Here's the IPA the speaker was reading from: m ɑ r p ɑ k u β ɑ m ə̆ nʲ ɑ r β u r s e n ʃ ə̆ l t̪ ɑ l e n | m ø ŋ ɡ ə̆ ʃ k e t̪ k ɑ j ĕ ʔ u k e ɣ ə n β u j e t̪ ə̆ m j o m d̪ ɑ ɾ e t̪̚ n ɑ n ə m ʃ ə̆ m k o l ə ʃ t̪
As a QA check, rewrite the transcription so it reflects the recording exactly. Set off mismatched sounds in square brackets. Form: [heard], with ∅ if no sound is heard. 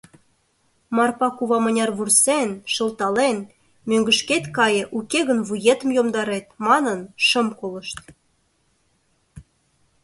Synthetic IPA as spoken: m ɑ r p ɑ k u β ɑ m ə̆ nʲ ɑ r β u r s e n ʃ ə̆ l t̪ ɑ l e n | m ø ŋ ɡ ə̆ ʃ k e t̪ k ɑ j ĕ ʔ u k e ɣ ə n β u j e t̪ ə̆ m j o m d̪ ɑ ɾ e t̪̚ [m] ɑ n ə [n] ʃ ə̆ m k o l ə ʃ t̪